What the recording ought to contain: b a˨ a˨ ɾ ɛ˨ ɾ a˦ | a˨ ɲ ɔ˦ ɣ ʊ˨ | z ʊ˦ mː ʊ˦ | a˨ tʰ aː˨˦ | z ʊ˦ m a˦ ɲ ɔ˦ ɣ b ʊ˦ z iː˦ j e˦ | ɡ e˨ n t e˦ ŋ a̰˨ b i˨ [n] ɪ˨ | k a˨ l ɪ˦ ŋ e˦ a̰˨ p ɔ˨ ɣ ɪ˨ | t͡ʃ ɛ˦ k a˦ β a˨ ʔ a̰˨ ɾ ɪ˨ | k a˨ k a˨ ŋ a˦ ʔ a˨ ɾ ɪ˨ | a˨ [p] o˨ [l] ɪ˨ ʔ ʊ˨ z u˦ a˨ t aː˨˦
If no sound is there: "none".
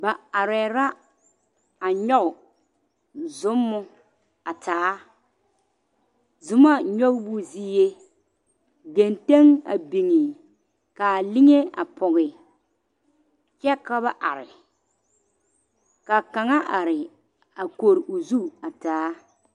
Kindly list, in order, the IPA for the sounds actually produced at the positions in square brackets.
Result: ŋ, k, ɾ

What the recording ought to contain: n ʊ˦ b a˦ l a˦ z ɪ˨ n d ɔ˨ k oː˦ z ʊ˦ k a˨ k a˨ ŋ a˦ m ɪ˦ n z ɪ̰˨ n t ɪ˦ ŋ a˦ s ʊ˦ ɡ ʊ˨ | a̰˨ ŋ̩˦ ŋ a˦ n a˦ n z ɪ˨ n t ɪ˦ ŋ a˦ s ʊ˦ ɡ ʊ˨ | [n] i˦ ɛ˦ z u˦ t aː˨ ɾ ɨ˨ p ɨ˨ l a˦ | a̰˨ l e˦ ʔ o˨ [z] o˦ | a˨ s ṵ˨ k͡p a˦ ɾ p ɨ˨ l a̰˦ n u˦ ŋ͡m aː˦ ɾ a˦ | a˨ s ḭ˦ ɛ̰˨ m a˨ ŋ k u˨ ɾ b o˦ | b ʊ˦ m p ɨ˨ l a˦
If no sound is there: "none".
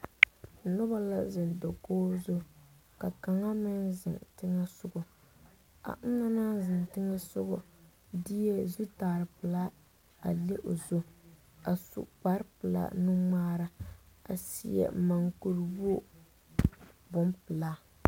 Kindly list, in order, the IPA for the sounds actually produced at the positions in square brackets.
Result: d, z

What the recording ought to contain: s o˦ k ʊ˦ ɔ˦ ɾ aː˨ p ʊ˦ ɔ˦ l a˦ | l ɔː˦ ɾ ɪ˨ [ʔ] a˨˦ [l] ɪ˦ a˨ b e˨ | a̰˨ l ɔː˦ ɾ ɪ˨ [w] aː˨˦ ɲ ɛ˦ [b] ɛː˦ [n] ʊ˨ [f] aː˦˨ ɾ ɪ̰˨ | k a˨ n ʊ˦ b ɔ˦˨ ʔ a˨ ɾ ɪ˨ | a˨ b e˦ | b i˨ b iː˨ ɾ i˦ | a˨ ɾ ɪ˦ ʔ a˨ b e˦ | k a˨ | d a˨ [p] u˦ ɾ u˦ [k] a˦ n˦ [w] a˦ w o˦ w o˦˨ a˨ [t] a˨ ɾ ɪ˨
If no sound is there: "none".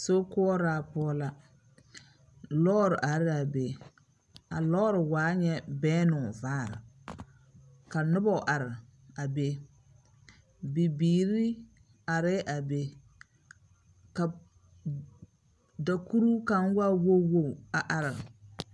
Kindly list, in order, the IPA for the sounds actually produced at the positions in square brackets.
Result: ʔ, ɾ, w, b, n, v, k, k, w, ʔ

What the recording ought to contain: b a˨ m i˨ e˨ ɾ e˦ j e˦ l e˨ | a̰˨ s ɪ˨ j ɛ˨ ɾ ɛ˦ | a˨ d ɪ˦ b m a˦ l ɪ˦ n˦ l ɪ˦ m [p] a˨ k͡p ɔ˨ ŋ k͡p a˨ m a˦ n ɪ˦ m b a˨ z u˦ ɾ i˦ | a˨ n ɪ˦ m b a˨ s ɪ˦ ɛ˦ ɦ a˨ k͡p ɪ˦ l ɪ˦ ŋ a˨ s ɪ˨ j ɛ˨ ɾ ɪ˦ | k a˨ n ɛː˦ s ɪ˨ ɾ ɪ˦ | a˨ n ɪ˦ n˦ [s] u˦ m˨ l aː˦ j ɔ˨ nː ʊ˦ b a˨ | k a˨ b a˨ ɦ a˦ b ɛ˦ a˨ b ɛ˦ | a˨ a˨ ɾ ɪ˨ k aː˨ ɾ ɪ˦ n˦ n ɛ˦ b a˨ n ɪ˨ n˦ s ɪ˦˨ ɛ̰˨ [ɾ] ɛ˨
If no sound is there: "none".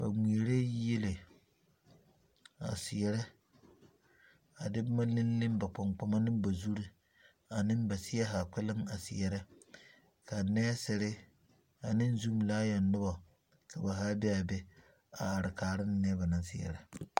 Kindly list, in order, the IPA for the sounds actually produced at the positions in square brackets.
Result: b, z, ɾ

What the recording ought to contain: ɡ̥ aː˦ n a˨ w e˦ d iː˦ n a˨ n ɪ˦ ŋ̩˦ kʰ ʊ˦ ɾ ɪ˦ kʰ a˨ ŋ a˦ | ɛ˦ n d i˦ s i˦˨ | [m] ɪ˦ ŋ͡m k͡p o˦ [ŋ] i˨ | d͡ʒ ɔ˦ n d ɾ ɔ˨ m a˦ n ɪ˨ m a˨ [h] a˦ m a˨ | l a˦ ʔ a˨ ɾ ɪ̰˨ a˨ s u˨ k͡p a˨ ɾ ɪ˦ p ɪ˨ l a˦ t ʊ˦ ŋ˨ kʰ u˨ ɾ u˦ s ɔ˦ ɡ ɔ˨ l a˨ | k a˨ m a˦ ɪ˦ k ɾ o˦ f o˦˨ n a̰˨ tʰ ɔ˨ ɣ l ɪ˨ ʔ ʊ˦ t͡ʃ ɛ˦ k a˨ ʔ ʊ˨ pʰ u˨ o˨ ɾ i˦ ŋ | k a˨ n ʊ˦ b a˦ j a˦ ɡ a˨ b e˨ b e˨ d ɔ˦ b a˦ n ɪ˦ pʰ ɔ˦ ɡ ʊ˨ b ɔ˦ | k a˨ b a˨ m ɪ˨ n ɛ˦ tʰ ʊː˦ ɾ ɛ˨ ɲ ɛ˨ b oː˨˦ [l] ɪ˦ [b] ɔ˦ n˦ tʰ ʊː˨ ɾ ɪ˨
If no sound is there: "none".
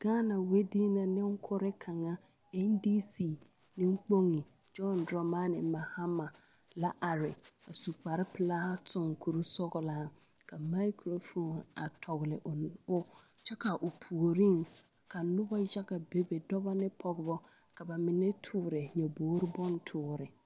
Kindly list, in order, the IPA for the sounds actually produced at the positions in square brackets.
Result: n, ŋ, h, ɾ, b

